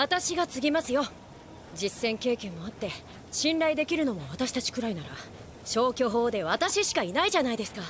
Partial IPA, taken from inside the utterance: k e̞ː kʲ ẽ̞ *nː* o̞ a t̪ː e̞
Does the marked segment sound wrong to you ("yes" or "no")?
yes